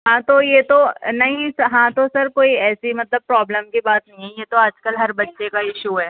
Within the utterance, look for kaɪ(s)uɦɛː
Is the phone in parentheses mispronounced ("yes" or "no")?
yes